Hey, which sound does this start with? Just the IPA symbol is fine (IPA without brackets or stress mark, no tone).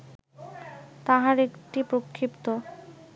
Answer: t̪